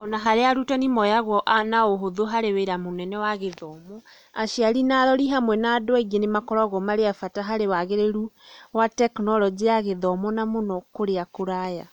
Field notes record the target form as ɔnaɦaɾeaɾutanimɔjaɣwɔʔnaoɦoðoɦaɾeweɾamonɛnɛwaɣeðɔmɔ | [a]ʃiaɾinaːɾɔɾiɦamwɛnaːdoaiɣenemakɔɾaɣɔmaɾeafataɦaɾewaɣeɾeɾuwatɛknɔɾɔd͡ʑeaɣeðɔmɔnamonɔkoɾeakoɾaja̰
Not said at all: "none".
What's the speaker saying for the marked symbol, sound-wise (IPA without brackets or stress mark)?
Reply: a